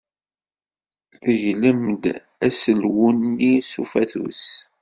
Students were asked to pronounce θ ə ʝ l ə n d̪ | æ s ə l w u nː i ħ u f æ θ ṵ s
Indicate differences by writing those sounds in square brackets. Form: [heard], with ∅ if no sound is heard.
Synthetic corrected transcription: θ ə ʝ l ə [m] d̪ | æ s ə l w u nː i [s] u f æ θ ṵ s